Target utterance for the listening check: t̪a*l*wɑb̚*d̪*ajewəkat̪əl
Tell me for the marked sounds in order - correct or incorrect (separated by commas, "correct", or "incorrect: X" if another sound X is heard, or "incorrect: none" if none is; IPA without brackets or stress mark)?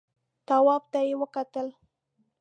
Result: incorrect: none, incorrect: t̪